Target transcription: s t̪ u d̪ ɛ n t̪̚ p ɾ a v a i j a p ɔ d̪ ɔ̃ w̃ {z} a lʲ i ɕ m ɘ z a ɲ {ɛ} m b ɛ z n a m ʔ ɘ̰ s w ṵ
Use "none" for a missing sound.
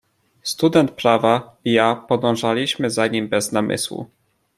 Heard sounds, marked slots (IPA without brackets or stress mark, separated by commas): ʐ, i